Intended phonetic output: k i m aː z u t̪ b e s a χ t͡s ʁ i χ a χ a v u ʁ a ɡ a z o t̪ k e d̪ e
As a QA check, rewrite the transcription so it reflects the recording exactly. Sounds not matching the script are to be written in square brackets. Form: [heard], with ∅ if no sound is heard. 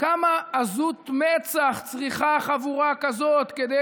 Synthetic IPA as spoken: k [a] m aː z u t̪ [m] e [t͡s] a χ t͡s ʁ i χ a χ a v u ʁ a [k] a z o t̪ k e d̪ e